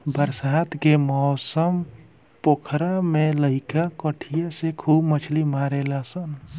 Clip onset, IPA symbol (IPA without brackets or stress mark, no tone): b